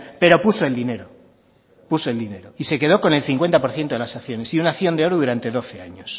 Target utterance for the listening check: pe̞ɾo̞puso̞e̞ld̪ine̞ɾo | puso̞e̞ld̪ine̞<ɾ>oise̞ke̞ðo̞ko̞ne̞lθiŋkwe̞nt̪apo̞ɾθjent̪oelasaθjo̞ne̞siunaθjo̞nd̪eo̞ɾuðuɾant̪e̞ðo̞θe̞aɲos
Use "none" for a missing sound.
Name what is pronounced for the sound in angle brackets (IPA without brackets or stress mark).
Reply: ɾ